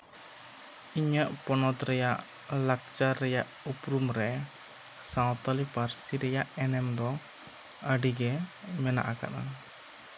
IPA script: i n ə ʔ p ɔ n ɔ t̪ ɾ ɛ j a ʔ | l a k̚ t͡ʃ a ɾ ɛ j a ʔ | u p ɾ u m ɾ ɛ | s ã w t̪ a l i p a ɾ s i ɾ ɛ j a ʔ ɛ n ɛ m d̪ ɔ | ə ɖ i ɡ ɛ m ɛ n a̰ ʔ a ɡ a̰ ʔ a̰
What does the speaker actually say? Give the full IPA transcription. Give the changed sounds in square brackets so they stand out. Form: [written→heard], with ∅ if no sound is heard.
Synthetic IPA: i [n→ɲ] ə ʔ p ɔ n ɔ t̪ ɾ ɛ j a ʔ | l a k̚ t͡ʃ a ɾ ɛ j a ʔ | u p ɾ u m ɾ ɛ | s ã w t̪ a l i p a ɾ s i ɾ ɛ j a ʔ ɛ n ɛ m d̪ ɔ | ə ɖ i ɡ ɛ m ɛ n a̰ ʔ a [ɡ→k] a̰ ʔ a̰

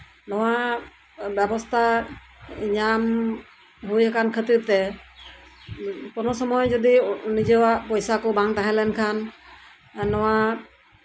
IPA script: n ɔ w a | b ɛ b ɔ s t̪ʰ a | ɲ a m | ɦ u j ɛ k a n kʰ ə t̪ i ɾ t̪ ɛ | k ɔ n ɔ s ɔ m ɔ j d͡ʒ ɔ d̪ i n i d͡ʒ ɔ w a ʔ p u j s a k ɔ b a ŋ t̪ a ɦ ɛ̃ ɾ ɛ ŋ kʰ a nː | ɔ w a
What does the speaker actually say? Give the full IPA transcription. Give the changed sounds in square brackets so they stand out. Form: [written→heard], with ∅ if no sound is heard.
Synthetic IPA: n ɔ w a | b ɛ b ɔ s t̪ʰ a | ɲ a m | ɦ u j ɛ k a n kʰ ə t̪ i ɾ t̪ ɛ | k ɔ n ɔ s ɔ m ɔ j d͡ʒ ɔ d̪ i n i d͡ʒ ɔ w a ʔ p [u→ɔ] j s a k ɔ b a ŋ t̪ a ɦ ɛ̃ [ɾ→l] ɛ [ŋ→n] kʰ a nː | ɔ w a

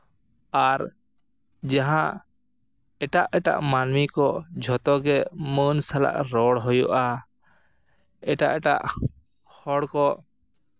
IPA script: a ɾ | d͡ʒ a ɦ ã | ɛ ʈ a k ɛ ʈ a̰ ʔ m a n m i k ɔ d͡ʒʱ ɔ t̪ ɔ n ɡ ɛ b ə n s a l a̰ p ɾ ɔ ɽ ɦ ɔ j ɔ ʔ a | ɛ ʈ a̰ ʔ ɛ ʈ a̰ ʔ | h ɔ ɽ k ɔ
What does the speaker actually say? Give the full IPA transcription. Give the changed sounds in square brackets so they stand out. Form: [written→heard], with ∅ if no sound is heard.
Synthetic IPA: a ɾ | d͡ʒ a ɦ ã | ɛ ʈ a [k→ʔ] ɛ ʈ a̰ ʔ m a n m i k ɔ d͡ʒʱ ɔ t̪ ɔ [n→∅] ɡ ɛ [b→m] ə n s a l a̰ [p→ʔ] ɾ ɔ ɽ ɦ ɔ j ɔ ʔ a | ɛ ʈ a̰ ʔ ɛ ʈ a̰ ʔ | h ɔ ɽ k ɔ

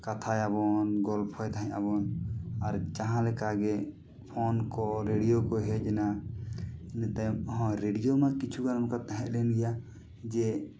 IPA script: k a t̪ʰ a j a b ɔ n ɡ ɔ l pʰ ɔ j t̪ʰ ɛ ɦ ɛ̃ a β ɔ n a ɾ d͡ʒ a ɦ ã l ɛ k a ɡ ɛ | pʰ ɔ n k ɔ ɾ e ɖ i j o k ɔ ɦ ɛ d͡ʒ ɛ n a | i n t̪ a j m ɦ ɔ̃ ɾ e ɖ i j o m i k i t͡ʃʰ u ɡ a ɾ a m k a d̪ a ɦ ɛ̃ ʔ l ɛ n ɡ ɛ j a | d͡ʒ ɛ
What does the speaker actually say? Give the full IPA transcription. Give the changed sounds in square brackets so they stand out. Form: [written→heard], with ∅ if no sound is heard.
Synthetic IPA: k a t̪ʰ a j a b ɔ n ɡ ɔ l pʰ ɔ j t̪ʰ [ɛ→a] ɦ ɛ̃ a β ɔ n a ɾ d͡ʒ a ɦ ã l ɛ k a ɡ ɛ | pʰ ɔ n k ɔ ɾ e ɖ i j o k ɔ ɦ ɛ d͡ʒ ɛ n a | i n t̪ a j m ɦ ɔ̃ ɾ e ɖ i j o m [i→a] k i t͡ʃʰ u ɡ a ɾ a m k a [d̪→t̪] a ɦ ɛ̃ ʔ l ɛ n ɡ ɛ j a | d͡ʒ ɛ

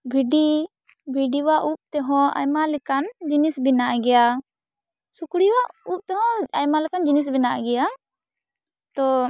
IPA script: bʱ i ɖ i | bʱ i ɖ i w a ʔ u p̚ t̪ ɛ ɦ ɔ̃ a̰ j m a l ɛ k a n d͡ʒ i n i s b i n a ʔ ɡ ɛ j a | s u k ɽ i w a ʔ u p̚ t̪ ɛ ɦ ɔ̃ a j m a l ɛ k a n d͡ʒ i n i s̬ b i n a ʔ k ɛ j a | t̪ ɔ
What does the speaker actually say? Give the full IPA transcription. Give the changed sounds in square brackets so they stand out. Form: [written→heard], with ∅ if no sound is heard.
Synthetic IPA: bʱ i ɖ i | bʱ i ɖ i w a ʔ u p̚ t̪ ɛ ɦ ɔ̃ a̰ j m a l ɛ k a n d͡ʒ i n i s b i n a ʔ ɡ ɛ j a | s u k ɽ i w a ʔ u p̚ t̪ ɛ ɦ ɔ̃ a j m a l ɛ k a n d͡ʒ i n i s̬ b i n a ʔ [k→ɡ] ɛ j a | t̪ ɔ

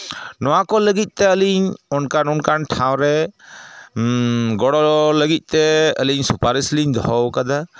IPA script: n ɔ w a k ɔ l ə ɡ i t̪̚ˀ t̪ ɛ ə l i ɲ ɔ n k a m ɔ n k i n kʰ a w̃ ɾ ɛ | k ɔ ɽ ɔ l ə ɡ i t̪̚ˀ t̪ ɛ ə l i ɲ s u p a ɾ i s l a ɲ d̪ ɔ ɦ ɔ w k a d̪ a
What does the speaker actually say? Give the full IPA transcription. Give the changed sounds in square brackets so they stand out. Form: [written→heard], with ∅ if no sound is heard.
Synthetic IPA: n ɔ w a k ɔ l ə ɡ i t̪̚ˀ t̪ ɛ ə l i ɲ ɔ n k a [m→n] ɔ n k [i→a] n [kʰ→ʈʰ] a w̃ ɾ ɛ | [k→ɡ] ɔ ɽ ɔ l ə ɡ i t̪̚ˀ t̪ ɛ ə l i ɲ s u p a ɾ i s l [a→i] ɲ d̪ ɔ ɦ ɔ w k a d̪ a

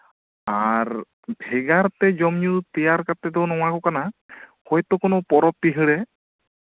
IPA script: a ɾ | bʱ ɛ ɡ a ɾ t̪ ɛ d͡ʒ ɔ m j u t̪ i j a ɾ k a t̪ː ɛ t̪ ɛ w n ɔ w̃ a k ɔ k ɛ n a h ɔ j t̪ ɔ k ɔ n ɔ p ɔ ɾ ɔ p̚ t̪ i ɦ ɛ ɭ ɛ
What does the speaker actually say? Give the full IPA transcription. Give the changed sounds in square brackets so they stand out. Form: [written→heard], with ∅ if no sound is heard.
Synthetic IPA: a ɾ | bʱ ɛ ɡ a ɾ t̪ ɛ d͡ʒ ɔ m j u t̪ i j a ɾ k a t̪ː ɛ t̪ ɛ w n ɔ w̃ a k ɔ k [ɛ→a] n a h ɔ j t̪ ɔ k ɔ n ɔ p ɔ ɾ ɔ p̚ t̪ i ɦ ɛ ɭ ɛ

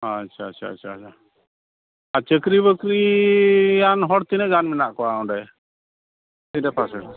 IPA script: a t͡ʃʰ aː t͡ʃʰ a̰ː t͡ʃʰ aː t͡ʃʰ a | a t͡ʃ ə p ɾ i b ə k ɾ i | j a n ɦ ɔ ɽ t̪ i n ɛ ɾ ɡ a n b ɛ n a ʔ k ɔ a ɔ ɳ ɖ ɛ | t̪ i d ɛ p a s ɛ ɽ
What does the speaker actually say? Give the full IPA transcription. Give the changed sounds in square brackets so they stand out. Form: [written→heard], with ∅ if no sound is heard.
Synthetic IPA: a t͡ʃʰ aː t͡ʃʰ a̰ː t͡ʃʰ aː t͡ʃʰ a | a t͡ʃ ə [p→k] ɾ i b ə k ɾ i | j a n ɦ ɔ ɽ t̪ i n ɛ [ɾ→∅] ɡ a n [b→m] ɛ n a ʔ k ɔ a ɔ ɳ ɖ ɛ | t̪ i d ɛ p a s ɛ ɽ

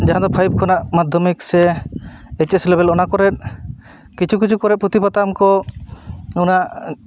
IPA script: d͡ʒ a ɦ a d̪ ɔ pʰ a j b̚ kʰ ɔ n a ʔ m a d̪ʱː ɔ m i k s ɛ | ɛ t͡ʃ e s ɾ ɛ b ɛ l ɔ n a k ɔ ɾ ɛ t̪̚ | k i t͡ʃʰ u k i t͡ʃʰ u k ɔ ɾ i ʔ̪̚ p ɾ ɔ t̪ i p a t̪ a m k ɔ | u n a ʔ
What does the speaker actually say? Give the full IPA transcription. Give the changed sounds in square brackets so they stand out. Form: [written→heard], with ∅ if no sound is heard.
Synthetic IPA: d͡ʒ a ɦ a d̪ ɔ pʰ a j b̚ kʰ ɔ n a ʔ m a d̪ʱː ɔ m i k s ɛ | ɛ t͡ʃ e s [ɾ→l] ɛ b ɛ l ɔ n a k ɔ ɾ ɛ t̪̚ | k i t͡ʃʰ u k i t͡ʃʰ u k ɔ ɾ [i→ɛ] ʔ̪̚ p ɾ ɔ t̪ i p a t̪ a m k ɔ | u n a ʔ

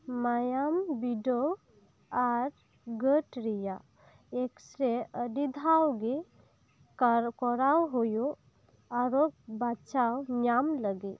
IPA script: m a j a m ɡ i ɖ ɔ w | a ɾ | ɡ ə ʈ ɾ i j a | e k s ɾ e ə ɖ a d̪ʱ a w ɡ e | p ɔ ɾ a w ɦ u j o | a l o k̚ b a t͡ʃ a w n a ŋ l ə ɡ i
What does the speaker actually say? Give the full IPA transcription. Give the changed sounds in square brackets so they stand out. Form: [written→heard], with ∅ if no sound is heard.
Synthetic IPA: m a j a m [ɡ→b] i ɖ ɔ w | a ɾ | ɡ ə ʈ ɾ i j a | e k s ɾ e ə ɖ [a→i] d̪ʱ a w ɡ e | [p→k] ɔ ɾ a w ɦ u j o | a [l→ɾ] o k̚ b a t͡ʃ a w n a [ŋ→m] l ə ɡ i

